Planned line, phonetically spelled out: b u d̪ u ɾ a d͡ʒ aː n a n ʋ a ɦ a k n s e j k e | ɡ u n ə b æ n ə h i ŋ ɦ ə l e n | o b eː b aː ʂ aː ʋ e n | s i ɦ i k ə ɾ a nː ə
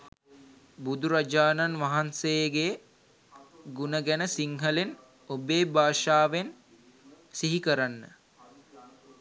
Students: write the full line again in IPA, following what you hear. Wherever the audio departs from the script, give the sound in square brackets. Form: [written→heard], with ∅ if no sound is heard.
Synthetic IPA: b u d̪ u ɾ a d͡ʒ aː n a n ʋ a ɦ a [k→∅] n s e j [k→ɡ] e | ɡ u n ə [b→ɡ] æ n ə [h→s] i ŋ ɦ ə l e n | o b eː b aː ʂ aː ʋ e n | s i ɦ i k ə ɾ a nː ə